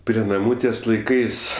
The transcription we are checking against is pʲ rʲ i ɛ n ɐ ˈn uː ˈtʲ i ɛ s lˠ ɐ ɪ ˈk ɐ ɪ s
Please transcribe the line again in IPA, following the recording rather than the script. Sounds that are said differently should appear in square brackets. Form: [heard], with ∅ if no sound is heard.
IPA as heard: pʲ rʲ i ɛ n ɐ [ˈm] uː ˈtʲ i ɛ s lˠ ɐ ɪ ˈk ɐ ɪ s